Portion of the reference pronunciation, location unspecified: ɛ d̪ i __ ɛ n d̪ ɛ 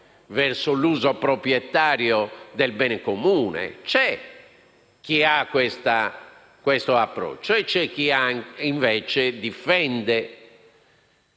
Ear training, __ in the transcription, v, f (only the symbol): f